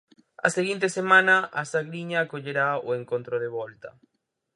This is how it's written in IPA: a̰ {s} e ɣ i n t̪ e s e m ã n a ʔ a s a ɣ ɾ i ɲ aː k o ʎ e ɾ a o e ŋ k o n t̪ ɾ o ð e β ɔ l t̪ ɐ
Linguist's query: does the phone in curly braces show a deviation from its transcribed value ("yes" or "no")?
no